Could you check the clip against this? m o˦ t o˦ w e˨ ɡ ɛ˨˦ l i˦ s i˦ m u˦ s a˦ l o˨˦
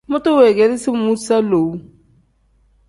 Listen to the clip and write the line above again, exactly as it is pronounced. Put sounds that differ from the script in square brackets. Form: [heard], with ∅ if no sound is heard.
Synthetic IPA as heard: m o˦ t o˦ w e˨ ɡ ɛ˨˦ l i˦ s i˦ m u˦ s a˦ l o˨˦